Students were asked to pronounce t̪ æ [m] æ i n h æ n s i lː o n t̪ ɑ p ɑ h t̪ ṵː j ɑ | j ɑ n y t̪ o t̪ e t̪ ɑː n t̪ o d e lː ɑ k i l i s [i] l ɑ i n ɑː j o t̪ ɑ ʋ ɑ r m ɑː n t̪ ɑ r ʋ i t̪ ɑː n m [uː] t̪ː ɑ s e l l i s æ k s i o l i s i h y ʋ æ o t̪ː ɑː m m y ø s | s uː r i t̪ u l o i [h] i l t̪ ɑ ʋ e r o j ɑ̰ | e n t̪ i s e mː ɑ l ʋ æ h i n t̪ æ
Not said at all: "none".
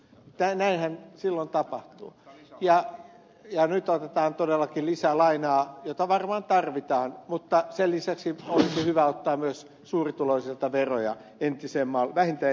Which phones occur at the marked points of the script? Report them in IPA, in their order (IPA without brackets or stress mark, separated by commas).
n, æ, u, s